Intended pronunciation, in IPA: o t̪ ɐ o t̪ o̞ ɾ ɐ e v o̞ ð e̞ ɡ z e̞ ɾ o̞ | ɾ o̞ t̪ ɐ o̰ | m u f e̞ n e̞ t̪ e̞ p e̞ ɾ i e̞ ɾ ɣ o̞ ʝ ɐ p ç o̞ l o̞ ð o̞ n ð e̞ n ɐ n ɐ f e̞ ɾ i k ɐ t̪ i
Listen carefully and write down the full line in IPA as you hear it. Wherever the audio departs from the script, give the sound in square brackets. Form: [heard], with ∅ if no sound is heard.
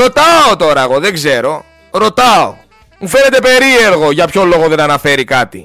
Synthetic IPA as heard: o t̪ ɐ o t̪ o̞ ɾ ɐ e [ɣ] o̞ ð e̞ ɡ z e̞ ɾ o̞ | ɾ o̞ t̪ ɐ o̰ | m u f e̞ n e̞ t̪ e̞ p e̞ ɾ i e̞ ɾ ɣ o̞ ʝ ɐ p ç o̞ l o̞ [ɣ] o̞ [∅] ð e̞ n ɐ n ɐ f e̞ ɾ i k ɐ t̪ i